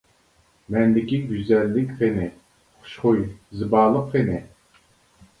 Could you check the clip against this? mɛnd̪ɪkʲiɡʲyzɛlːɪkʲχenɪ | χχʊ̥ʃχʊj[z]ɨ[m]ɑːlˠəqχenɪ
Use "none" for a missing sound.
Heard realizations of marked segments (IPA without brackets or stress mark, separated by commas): z, b